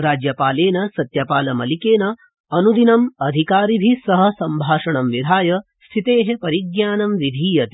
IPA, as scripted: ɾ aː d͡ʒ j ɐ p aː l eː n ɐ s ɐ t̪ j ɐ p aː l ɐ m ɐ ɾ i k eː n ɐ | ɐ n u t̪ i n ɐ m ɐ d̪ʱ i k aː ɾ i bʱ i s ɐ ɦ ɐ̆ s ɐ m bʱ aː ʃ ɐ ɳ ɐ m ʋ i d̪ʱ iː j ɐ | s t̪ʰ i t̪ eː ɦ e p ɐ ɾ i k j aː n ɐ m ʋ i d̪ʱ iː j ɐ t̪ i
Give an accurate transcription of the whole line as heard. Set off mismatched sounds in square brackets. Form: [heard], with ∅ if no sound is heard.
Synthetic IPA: ɾ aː d͡ʒ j ɐ p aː l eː n ɐ s ɐ t̪ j ɐ p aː l ɐ m ɐ [l] i k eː n ɐ | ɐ n u [d̪] i n ɐ m ɐ d̪ʱ i k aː ɾ i bʱ i s ɐ ɦ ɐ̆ s ɐ m bʱ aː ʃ ɐ ɳ ɐ m ʋ i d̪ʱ [aː] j ɐ | s t̪ʰ i t̪ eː ɦ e p ɐ ɾ i [ɡ] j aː n ɐ m ʋ i d̪ʱ iː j ɐ t̪ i